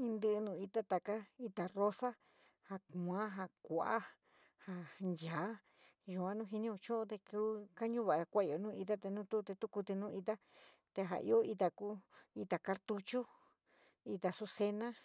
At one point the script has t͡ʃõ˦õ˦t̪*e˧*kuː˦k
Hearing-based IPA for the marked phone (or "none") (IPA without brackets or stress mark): e˧